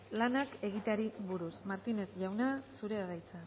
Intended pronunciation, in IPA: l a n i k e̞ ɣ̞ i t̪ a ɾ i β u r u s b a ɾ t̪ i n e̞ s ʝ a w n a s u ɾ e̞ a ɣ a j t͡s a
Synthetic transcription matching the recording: l a n a k e̞ ɣ̞ i t̪ a ɾ i β u ɾ u s m a ɾ t̪ i n e̞ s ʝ a w n a s u ɾ e̞ a ð a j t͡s a